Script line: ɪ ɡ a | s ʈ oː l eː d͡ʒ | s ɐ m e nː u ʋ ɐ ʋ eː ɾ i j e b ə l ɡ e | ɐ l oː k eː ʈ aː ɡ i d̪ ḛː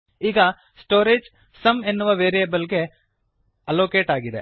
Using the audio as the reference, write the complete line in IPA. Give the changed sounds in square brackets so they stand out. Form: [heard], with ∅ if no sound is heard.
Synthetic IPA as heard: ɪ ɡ a | s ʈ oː [ɾ] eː d͡ʒ | s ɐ m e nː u ʋ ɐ ʋ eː ɾ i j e b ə l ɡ e | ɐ l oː k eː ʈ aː ɡ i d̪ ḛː